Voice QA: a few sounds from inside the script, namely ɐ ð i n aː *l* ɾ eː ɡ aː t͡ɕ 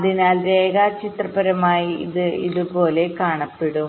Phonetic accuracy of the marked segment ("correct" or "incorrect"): correct